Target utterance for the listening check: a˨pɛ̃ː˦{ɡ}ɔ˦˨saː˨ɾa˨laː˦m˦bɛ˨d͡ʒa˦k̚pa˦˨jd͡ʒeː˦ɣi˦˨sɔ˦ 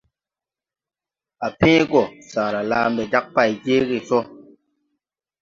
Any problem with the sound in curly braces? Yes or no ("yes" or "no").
no